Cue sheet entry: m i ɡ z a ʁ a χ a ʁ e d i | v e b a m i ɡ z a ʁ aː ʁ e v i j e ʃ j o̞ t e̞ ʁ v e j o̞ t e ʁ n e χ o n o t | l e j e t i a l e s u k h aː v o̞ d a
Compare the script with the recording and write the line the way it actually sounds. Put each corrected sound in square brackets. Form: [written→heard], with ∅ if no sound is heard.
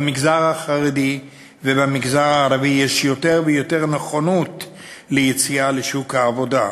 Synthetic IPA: m i ɡ z a ʁ a χ a ʁ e d i | v e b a m i ɡ z a ʁ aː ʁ [e→a] v i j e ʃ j o̞ t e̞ ʁ v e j o̞ t e ʁ n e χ o n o t | l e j e [t→t͡s] i a l e [s→ʃ] u k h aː v o̞ d a